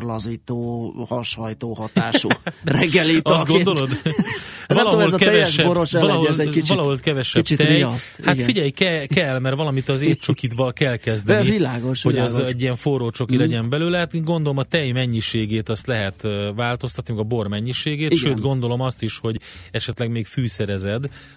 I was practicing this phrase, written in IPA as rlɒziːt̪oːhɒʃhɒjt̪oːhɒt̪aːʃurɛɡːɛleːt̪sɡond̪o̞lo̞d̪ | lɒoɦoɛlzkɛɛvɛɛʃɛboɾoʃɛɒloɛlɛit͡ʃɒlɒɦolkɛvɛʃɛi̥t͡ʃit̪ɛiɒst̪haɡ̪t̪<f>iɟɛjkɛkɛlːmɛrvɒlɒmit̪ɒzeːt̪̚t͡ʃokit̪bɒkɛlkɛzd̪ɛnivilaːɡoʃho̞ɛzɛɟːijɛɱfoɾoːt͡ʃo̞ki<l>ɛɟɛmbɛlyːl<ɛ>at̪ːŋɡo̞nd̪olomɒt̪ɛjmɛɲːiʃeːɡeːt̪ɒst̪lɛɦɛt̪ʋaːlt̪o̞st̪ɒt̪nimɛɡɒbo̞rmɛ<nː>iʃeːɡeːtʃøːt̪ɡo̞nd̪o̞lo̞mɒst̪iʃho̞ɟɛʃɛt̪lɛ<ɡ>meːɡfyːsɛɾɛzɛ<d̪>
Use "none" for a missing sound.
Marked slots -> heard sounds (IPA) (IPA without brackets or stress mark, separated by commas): f, l, ɛ, ɲː, ɡ, d̪